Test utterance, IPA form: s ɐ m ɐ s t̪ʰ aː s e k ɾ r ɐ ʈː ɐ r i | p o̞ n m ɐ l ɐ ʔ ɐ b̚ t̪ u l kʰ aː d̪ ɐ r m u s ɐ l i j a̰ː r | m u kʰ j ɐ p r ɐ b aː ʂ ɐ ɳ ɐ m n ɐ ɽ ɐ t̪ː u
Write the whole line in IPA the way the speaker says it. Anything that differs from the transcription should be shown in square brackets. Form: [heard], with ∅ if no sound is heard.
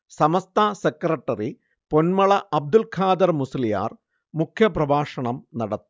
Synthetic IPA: s ɐ m ɐ s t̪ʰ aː s e k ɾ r ɐ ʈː ɐ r i | p o̞ n m ɐ [ɭ] ɐ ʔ ɐ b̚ [d̪] u l kʰ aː d̪ ɐ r m u s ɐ l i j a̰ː r | m u kʰ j ɐ p r ɐ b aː ʂ ɐ ɳ ɐ m n ɐ ɽ ɐ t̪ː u